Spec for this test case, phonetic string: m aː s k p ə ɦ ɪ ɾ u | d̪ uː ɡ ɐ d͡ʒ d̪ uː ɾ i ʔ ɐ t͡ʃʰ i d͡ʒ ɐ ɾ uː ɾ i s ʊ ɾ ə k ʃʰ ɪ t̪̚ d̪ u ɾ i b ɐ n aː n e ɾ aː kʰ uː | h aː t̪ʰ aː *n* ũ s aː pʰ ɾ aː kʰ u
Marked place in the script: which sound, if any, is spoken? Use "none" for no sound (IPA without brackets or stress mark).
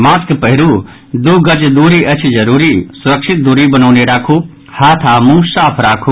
m